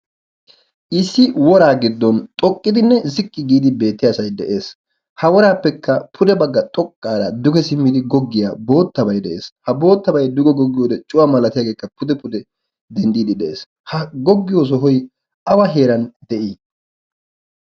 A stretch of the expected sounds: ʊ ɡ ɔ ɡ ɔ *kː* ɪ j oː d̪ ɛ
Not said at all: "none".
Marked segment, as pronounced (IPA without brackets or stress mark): ɡː